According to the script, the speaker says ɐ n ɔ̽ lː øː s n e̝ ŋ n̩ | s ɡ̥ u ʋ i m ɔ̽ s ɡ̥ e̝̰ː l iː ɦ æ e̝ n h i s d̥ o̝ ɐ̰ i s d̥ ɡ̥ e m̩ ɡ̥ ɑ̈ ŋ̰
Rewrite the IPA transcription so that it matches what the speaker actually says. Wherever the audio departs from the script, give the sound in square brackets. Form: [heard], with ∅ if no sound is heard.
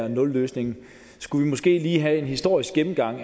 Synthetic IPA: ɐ n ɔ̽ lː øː s n e̝ ŋ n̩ | s ɡ̥ u ʋ i m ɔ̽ s ɡ̥ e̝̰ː l iː ɦ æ e̝ n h i s d̥ o̝ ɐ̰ i s [ɡ̥] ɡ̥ e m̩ ɡ̥ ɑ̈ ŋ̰